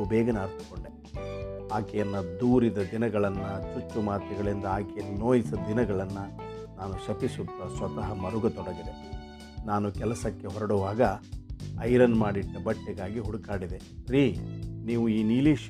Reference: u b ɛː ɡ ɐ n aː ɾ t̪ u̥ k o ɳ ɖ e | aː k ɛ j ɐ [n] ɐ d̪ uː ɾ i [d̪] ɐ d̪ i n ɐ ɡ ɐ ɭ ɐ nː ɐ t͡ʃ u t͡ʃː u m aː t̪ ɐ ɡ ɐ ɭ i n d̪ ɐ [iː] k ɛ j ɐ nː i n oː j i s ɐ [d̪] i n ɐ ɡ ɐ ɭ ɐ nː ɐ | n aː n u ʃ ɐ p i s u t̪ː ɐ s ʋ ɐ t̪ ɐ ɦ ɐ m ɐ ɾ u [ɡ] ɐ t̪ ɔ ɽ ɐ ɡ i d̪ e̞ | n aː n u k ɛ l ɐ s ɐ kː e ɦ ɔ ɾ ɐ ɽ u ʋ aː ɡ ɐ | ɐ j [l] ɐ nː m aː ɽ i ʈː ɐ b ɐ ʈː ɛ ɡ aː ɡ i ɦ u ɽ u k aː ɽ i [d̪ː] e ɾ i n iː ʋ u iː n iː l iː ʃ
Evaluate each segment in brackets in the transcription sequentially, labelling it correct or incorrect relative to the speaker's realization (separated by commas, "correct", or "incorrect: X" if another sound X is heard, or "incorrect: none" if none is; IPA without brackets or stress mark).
incorrect: nː, correct, incorrect: aː, correct, correct, incorrect: ɾ, incorrect: d̪